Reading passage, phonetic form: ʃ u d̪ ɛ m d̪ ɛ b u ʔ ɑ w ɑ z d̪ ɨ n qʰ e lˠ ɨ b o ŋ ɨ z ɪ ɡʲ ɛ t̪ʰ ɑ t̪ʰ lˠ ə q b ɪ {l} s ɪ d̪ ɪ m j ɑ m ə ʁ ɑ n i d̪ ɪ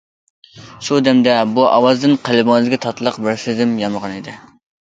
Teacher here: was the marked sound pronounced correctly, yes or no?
no